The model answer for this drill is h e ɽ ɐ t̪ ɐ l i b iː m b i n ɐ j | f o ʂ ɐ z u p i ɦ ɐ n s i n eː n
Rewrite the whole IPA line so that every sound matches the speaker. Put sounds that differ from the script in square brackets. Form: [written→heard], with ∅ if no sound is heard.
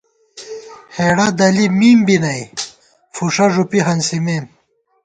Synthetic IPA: h e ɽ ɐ [t̪→d̪] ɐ l i [b→m] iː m b i n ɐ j | f [o→u] ʂ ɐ [z→ʐ] u p i ɦ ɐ n s i [n→m] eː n